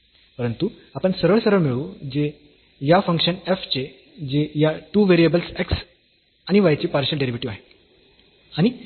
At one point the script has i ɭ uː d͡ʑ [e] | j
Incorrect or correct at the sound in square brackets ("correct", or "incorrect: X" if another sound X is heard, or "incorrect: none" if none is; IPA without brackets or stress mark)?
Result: correct